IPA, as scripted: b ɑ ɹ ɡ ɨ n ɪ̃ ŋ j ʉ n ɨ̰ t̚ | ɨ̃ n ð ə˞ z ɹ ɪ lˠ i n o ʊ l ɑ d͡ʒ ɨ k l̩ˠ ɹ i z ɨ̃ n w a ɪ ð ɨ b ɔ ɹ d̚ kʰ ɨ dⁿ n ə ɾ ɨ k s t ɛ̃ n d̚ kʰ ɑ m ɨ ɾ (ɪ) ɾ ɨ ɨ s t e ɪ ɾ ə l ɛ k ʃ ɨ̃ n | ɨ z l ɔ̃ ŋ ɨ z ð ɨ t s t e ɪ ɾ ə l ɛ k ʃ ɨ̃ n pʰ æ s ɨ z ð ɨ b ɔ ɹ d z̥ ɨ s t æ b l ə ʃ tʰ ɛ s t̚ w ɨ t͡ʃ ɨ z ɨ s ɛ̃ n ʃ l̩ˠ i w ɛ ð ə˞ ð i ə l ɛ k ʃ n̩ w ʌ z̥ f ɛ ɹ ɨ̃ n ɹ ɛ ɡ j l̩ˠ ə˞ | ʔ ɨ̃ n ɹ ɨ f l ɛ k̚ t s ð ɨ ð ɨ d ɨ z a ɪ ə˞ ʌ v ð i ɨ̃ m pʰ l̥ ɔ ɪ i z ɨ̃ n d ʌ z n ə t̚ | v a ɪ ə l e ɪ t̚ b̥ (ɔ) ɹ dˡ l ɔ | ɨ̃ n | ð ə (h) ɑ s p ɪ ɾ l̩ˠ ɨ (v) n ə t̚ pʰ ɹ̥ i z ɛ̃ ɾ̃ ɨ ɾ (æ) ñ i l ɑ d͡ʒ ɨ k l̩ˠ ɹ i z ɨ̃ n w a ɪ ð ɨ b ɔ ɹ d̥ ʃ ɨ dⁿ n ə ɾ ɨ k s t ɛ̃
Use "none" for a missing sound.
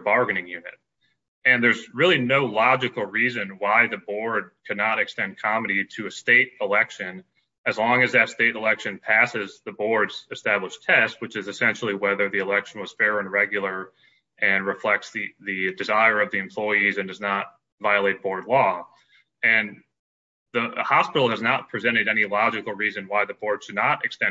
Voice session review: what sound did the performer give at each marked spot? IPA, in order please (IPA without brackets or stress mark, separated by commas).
i, ɔ, h, z, ɛ